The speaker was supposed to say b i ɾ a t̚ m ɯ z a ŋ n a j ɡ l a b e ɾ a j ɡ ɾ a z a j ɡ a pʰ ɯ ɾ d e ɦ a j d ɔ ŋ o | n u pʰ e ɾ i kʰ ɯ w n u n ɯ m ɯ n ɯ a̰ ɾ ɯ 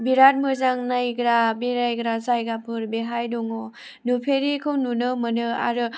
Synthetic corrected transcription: b i ɾ a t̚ m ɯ z a ŋ n a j ɡ ɾ a b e ɾ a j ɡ ɾ a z a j ɡ a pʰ ɯ ɾ b e ɦ a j d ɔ ŋ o | n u pʰ e ɾ i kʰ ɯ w n u n ɯ m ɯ n ɯ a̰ ɾ ɯ